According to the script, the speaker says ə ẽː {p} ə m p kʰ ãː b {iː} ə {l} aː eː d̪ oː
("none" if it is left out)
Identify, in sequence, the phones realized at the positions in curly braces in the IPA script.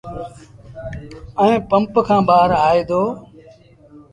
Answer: p, aː, ɾ

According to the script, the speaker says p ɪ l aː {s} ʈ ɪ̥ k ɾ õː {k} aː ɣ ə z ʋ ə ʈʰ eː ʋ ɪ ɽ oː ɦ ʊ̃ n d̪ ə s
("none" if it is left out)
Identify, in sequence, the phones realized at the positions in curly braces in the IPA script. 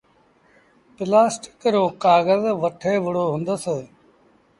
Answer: s, k

